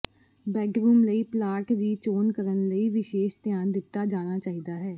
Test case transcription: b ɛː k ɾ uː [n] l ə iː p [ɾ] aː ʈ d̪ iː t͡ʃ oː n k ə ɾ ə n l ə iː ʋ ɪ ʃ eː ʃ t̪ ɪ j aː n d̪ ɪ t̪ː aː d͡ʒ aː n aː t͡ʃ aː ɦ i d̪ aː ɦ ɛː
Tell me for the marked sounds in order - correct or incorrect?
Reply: incorrect: m, incorrect: l

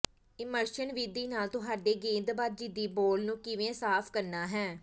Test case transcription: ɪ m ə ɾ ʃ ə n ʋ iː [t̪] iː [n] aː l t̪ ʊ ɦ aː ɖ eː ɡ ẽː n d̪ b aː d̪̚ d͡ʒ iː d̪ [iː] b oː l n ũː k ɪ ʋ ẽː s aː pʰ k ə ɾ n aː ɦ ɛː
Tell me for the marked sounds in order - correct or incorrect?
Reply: incorrect: d̪, correct, correct

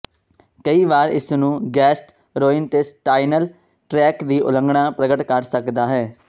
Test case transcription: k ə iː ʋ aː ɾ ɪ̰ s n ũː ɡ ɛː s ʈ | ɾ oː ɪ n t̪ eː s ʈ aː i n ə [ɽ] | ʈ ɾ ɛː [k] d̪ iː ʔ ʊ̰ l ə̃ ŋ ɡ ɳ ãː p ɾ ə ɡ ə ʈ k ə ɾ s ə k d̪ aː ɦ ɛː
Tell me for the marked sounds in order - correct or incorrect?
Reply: incorrect: l, correct

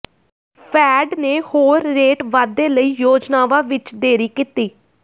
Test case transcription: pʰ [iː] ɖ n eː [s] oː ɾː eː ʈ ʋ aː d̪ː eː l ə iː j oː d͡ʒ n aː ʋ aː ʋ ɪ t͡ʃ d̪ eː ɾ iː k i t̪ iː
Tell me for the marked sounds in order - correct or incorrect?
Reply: incorrect: ɛː, incorrect: h

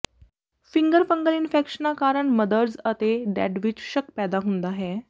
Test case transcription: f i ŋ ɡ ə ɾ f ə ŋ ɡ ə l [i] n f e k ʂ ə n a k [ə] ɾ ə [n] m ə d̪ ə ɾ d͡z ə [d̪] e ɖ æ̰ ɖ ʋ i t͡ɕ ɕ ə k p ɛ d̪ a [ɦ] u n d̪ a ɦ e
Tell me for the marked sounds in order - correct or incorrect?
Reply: correct, incorrect: a, incorrect: ɳ, incorrect: t̪, correct

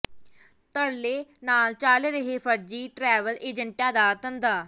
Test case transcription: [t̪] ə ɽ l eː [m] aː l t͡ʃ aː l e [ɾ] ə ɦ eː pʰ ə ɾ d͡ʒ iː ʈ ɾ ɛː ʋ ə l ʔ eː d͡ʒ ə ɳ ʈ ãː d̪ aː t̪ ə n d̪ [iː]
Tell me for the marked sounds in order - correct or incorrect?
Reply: correct, incorrect: n, correct, incorrect: aː

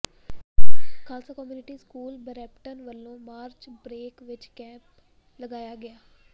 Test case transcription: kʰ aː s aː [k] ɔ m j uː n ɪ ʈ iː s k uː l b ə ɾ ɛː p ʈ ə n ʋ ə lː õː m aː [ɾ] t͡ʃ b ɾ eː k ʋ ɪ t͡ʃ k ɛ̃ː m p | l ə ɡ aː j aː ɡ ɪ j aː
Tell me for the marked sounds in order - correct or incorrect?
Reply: correct, correct

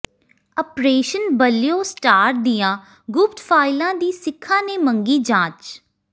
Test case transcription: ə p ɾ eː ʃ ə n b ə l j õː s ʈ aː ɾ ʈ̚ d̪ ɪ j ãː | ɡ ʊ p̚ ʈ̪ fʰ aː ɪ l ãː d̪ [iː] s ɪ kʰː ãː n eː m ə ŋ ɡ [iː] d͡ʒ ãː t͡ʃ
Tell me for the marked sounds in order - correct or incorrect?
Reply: correct, correct

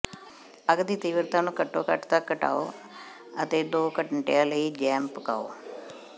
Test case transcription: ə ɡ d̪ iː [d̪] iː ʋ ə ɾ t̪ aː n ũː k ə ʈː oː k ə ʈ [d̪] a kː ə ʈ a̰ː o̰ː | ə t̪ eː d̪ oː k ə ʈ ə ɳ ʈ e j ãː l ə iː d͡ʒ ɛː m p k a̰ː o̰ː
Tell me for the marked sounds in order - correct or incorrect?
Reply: incorrect: t̪, incorrect: t̪

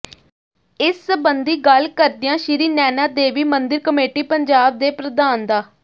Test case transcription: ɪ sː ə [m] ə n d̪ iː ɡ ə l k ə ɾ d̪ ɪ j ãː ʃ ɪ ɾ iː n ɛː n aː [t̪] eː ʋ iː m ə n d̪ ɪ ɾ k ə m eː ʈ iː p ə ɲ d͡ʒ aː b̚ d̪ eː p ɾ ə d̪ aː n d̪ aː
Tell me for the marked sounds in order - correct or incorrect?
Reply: incorrect: b, incorrect: d̪

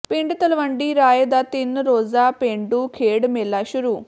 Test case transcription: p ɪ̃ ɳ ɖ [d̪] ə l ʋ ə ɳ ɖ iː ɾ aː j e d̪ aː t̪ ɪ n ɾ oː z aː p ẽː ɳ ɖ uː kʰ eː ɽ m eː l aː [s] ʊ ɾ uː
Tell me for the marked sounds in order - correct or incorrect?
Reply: incorrect: t̪, incorrect: ʃ

